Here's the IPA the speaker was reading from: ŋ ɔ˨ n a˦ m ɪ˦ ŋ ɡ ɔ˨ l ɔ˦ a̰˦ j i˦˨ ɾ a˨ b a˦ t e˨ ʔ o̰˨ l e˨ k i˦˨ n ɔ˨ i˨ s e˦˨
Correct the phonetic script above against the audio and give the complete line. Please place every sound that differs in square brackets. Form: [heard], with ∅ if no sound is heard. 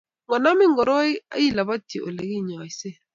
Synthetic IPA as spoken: ŋ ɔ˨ n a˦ m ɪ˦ ŋ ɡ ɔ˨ [ɾ] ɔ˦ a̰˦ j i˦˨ [l] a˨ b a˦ t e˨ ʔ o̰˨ l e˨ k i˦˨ [ɲ] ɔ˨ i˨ s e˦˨